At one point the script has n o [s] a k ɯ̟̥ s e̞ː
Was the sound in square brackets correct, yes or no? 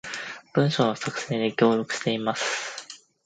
yes